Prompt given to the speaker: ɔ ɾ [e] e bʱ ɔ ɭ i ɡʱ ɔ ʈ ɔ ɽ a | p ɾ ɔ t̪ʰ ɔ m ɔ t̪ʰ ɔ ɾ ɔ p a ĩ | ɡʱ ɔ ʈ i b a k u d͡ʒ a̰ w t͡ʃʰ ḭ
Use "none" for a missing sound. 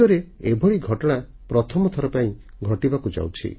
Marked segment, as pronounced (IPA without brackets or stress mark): e